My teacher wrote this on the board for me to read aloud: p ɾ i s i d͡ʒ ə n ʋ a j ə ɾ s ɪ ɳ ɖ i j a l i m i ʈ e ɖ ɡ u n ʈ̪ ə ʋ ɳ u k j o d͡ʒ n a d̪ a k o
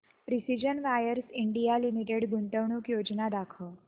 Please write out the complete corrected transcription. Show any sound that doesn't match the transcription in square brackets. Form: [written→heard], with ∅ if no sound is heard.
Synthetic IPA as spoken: p ɾ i s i d͡ʒ ə n ʋ a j ə ɾ s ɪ ɳ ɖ i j a l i m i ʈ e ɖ ɡ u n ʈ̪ ə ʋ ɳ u k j o d͡ʒ n a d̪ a [k→kʰ] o